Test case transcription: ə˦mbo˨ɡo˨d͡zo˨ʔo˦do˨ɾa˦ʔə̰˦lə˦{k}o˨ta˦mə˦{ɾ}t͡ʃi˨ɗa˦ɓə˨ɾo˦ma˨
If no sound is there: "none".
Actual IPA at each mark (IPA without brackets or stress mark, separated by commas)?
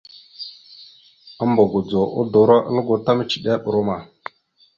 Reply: ɡ, none